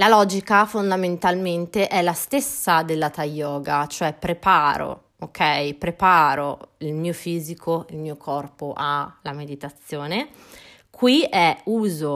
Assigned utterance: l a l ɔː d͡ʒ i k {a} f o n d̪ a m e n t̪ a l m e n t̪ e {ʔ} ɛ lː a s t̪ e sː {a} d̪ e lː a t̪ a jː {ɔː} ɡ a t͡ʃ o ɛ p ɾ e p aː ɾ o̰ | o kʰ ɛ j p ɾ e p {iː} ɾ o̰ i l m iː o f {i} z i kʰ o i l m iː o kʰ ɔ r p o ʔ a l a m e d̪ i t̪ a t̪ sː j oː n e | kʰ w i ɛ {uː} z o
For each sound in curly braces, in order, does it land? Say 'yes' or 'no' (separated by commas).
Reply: yes, yes, yes, yes, no, no, yes